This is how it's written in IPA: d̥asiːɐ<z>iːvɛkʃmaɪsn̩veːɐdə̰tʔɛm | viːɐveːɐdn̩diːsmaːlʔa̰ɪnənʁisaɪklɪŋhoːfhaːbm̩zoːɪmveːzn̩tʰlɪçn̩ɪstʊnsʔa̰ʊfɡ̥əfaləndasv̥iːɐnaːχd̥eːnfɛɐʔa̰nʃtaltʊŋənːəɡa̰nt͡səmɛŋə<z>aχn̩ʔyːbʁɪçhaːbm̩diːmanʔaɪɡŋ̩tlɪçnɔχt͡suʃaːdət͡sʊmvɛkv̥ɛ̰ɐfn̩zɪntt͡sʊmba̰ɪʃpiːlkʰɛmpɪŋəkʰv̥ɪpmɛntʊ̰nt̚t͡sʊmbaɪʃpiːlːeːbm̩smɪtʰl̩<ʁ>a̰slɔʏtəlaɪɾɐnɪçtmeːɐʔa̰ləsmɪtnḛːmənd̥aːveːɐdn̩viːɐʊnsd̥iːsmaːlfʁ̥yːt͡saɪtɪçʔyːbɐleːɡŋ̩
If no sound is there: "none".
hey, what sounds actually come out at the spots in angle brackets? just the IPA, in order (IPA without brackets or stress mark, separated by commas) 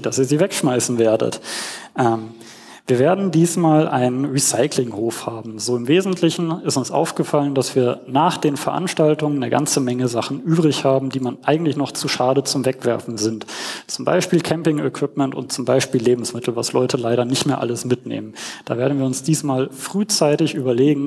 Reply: z, z, v